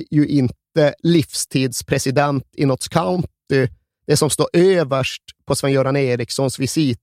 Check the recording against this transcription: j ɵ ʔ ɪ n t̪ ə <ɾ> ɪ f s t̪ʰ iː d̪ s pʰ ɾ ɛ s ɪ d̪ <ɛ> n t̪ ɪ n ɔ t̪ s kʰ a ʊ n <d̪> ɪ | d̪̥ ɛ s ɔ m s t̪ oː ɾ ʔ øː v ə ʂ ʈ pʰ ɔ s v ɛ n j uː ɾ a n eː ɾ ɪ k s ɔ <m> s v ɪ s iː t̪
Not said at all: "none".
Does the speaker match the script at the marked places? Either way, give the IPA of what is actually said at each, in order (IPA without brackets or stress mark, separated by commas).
l, ɛ, t̪, n